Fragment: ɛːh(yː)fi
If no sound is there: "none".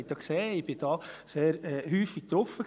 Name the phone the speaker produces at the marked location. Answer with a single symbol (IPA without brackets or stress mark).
yː